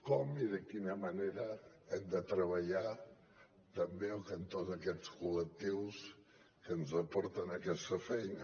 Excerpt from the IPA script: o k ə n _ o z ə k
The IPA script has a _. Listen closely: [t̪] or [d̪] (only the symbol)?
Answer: t̪